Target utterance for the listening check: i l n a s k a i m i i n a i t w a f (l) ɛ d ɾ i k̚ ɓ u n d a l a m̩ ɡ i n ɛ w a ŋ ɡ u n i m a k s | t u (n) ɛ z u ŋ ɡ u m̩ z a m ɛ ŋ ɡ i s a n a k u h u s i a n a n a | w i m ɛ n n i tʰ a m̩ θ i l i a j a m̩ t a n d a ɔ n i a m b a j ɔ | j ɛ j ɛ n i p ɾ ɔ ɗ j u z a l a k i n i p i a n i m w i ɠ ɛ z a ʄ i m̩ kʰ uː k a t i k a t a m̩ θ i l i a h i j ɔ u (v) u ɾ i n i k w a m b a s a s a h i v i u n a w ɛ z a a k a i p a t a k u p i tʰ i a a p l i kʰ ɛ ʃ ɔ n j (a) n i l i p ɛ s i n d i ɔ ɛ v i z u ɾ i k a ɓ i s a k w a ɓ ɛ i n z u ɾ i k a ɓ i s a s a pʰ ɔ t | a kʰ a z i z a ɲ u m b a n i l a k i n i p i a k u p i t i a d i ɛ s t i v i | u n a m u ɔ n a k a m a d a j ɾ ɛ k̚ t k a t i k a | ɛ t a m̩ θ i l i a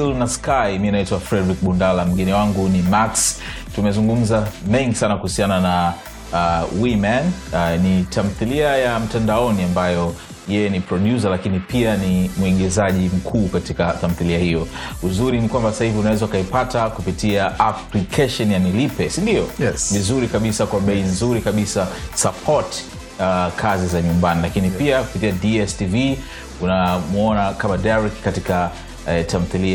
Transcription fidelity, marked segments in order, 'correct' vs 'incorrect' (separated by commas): incorrect, incorrect, incorrect, correct